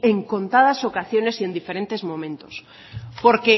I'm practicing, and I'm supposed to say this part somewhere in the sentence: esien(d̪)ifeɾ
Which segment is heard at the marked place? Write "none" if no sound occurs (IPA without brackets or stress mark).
d̪